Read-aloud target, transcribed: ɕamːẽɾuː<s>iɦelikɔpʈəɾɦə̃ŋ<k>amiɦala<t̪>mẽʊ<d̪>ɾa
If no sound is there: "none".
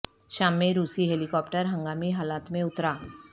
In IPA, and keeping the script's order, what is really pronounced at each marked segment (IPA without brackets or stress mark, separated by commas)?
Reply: s, ɡ, t̪, t̪